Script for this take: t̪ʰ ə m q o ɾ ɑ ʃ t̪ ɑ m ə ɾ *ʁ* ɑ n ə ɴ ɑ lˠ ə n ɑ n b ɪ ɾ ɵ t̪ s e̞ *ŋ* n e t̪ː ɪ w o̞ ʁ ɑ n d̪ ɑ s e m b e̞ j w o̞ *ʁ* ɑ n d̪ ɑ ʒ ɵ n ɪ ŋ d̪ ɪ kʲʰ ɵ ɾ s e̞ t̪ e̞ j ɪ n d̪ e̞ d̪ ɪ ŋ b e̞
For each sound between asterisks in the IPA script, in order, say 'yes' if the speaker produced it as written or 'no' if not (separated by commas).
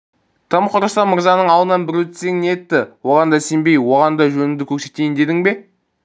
no, yes, yes